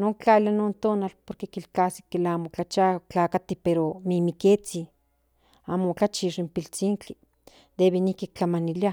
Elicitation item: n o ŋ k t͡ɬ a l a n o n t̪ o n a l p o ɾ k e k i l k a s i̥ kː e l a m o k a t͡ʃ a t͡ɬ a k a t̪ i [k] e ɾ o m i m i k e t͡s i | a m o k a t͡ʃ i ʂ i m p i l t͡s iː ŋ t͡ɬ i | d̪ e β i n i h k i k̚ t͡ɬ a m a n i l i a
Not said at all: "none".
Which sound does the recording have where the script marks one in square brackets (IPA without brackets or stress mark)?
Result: p